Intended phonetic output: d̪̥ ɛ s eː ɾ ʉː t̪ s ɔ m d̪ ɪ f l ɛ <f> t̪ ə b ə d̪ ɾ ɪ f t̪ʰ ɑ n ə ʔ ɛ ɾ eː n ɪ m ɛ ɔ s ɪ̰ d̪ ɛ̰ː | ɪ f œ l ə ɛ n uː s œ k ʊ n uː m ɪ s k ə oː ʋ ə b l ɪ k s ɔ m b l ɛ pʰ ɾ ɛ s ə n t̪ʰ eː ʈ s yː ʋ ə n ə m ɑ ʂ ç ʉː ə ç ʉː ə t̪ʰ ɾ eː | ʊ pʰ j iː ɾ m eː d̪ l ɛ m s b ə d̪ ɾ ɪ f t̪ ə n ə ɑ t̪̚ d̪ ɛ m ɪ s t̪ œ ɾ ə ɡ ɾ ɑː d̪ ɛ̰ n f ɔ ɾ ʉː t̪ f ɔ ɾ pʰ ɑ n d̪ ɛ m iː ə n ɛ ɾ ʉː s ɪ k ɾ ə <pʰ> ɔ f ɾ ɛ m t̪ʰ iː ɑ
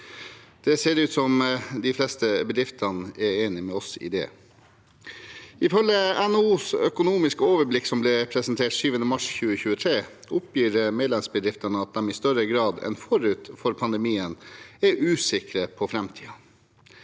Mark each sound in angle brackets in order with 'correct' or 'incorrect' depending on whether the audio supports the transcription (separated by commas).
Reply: incorrect, correct